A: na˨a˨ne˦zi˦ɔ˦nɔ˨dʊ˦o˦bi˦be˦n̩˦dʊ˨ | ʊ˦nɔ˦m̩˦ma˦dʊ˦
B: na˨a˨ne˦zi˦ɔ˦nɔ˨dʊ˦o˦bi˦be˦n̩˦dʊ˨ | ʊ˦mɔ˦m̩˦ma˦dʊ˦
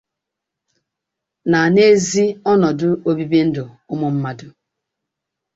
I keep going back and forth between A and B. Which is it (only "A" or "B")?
B